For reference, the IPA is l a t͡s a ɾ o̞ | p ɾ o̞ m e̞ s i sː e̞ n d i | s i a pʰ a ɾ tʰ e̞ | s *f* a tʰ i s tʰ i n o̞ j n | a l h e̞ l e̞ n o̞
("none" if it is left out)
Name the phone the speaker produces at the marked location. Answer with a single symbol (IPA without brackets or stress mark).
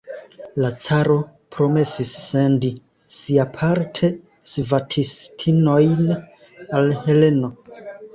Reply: v